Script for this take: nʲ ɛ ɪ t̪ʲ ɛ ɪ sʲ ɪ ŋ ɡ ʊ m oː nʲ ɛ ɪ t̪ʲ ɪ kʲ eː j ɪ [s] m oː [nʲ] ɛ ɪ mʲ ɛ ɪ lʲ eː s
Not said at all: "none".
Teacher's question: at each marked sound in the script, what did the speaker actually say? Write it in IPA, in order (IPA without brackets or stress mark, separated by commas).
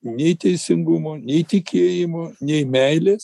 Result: none, nʲ